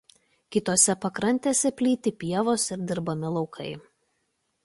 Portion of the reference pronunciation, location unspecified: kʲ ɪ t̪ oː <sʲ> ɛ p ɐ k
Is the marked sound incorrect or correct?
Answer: correct